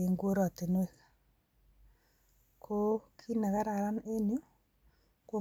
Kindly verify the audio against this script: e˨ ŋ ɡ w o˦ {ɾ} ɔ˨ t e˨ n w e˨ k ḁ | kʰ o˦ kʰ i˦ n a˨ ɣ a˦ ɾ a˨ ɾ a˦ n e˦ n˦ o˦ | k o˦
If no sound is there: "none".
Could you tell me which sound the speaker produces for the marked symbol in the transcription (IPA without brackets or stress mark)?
ɾ